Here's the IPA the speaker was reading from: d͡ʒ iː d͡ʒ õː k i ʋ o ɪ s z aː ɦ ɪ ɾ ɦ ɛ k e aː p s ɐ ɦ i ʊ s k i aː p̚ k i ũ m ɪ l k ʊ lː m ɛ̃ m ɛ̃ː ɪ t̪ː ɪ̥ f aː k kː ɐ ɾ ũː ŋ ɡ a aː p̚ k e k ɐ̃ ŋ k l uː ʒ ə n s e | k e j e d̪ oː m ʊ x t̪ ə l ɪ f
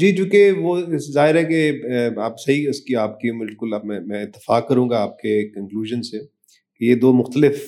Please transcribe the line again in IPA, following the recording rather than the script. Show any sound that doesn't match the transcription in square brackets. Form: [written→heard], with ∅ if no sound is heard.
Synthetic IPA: d͡ʒ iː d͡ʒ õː k [i→e] ʋ o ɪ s z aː ɦ ɪ ɾ ɦ ɛ k e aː p s ɐ ɦ i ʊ s k i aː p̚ k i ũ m ɪ l k ʊ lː m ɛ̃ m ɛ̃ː ɪ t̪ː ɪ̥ f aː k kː ɐ ɾ ũː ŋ ɡ a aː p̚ k e k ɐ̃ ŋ k l uː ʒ ə n s e | k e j e d̪ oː m ʊ x t̪ ə l ɪ f